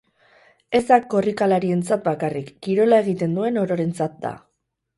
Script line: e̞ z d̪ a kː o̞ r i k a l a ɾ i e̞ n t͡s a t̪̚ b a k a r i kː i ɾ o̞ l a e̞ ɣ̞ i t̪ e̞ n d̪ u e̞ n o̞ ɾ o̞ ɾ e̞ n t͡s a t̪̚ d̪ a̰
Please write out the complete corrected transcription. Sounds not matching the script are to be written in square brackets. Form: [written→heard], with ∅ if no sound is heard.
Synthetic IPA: e̞ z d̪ a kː o̞ r i k a l a ɾ i e̞ n t͡s a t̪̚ b a k a r i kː i ɾ o̞ l a e̞ ɣ̞ i t̪ e̞ n d̪ u e̞ n o̞ ɾ o̞ ɾ e̞ n t͡s a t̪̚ d̪ a̰